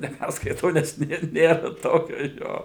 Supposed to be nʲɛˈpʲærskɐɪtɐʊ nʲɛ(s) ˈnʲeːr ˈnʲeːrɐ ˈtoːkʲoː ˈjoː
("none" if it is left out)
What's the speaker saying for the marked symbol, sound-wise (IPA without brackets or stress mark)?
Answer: s